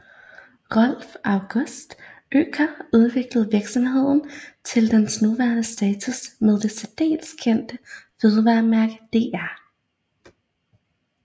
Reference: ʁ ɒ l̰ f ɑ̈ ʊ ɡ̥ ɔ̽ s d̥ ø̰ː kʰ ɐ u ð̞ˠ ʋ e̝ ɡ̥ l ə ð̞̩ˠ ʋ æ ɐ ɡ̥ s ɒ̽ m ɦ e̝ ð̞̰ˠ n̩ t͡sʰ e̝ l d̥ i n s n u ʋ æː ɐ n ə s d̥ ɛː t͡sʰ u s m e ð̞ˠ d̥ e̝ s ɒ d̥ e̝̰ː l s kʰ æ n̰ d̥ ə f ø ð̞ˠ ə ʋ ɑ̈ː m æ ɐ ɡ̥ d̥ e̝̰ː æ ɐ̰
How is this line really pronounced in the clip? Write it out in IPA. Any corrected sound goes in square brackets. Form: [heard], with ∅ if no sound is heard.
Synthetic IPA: ʁ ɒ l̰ f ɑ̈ ʊ ɡ̥ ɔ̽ s d̥ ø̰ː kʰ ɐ u ð̞ˠ ʋ e̝ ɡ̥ l ə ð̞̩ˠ ʋ [i] ɐ ɡ̥ s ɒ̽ m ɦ e̝ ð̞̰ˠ n̩ t͡sʰ e̝ l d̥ [e] n s n u ʋ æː ɐ n ə s d̥ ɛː t͡sʰ u s m e ð̞ˠ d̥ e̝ s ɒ d̥ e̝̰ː l s kʰ [e] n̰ d̥ ə f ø ð̞ˠ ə ʋ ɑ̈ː m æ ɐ ɡ̥ d̥ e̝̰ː æ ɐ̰